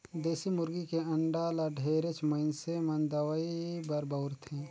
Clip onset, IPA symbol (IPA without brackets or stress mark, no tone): d̪